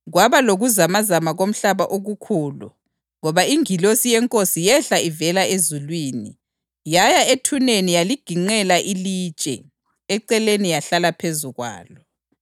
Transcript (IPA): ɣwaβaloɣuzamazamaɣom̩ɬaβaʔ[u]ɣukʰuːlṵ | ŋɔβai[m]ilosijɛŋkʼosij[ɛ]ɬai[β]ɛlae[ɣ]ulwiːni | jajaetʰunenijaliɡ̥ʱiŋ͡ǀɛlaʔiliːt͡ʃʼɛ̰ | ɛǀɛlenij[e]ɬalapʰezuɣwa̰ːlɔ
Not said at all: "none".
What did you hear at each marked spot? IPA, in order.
o, ŋ, ɛ, v, z, a

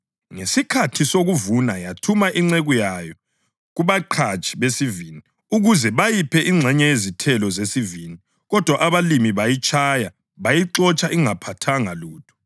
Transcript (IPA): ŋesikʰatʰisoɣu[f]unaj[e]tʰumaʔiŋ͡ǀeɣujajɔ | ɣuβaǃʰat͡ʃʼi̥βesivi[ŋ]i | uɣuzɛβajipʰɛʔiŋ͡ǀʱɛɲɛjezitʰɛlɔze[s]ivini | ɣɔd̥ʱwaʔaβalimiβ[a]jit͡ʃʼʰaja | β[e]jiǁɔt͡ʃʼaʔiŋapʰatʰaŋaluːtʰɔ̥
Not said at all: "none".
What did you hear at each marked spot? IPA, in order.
v, a, n, s, a, a

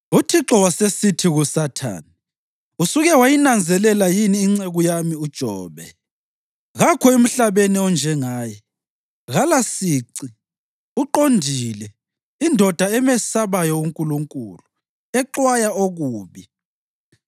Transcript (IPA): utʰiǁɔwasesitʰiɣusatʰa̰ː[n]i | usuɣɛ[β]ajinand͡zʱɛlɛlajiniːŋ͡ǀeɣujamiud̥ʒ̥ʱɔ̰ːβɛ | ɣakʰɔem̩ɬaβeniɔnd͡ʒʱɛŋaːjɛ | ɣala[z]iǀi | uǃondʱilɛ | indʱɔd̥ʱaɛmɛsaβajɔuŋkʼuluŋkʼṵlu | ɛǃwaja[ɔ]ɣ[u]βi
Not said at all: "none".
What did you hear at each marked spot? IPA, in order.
n, w, s, o, uː

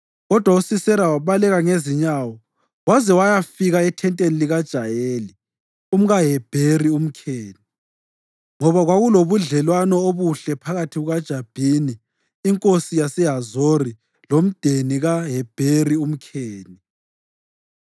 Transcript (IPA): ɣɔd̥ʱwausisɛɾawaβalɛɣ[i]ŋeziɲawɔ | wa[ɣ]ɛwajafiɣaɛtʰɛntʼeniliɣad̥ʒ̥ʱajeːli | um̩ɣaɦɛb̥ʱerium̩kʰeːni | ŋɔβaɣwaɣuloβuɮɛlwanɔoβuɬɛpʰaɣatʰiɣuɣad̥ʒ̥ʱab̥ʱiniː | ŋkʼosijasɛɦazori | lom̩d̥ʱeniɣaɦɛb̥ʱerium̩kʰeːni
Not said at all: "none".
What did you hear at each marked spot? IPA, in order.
a, z

